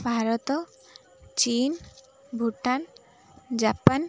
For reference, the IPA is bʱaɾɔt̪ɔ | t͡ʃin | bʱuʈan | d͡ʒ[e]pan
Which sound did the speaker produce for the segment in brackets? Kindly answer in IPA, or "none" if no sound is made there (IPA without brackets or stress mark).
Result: a